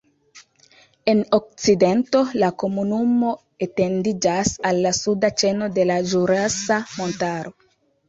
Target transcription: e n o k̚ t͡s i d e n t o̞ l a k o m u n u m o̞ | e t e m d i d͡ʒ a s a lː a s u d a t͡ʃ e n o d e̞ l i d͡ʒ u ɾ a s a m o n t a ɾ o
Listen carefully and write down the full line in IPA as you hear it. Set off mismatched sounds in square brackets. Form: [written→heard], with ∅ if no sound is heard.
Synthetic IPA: e n o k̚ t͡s i d e n t o̞ l a k o m u n u m o̞ | e t e [m→n] d i d͡ʒ a s a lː a s u d a t͡ʃ e n o d e̞ l [i→a] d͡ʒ u ɾ a s a m o n t a ɾ o